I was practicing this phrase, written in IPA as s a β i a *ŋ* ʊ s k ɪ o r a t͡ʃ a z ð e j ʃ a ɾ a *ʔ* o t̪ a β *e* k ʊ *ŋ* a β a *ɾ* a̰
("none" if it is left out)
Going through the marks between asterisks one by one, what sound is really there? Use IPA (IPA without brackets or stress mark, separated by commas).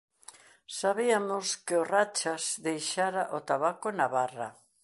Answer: m, ʔ, a, n, r